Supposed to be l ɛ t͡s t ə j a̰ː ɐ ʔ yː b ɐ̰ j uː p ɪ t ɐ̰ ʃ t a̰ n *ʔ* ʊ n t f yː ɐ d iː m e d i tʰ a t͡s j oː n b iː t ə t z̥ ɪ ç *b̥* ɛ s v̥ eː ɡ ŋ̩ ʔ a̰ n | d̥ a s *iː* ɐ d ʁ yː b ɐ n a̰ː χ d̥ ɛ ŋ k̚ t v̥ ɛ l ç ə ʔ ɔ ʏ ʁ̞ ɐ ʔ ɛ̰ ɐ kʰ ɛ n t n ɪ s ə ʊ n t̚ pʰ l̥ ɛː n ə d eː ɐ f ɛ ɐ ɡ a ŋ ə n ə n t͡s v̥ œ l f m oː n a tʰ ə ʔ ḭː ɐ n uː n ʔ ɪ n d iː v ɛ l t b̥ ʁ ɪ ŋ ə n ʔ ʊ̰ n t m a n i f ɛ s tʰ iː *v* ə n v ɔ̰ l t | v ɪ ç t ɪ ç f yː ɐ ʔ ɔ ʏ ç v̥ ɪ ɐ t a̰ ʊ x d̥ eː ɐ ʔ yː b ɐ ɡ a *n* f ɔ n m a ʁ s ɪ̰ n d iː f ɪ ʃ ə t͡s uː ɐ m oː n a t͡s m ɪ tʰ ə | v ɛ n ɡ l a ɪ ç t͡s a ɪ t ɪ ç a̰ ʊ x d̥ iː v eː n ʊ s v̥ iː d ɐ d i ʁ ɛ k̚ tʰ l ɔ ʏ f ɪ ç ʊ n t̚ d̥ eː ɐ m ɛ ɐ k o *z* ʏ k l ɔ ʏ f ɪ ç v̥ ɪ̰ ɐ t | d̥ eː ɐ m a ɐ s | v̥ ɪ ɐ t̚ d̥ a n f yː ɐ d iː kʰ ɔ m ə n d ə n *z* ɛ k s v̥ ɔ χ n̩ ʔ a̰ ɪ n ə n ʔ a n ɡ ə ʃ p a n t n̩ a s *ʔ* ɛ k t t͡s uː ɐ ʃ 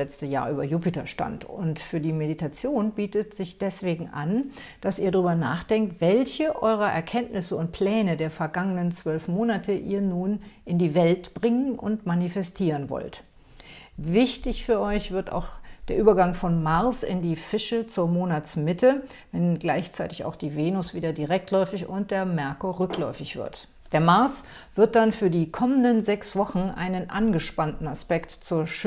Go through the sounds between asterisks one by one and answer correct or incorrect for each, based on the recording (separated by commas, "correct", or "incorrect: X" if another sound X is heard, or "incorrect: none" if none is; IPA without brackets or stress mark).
incorrect: t, incorrect: d̥, correct, incorrect: ʁ, incorrect: ŋ, incorrect: ʁ, correct, incorrect: p